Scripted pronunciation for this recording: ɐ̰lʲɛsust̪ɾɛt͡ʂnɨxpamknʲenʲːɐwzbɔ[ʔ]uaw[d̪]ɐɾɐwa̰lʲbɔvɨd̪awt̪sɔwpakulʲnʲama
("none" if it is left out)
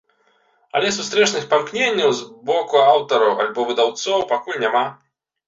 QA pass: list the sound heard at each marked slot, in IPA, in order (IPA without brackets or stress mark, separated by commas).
k, t̪